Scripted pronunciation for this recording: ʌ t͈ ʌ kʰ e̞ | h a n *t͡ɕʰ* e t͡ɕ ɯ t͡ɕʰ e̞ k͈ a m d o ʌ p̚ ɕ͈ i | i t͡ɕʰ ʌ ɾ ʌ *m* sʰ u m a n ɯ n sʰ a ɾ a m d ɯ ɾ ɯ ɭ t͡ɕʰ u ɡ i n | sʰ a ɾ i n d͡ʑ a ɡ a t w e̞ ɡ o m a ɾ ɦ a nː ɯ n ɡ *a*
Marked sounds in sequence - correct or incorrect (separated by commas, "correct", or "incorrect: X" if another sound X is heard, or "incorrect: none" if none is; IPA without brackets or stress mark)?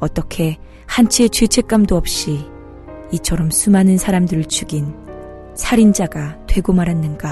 correct, correct, correct